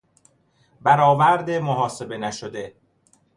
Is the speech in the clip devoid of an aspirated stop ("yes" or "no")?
yes